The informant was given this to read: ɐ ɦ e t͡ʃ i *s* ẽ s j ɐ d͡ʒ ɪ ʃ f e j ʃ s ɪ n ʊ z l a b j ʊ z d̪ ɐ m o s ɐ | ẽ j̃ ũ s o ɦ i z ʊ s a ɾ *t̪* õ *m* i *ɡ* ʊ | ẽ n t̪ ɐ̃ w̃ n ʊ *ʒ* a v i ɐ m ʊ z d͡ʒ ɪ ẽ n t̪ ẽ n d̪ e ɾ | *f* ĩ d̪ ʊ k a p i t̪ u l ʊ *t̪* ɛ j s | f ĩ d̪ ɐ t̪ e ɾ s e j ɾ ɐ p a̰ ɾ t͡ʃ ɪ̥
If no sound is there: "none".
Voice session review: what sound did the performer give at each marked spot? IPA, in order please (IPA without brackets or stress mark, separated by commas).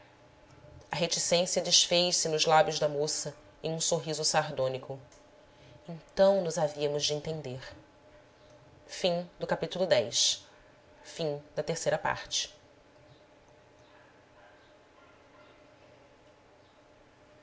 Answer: s, d̪, n, k, z, f, d̪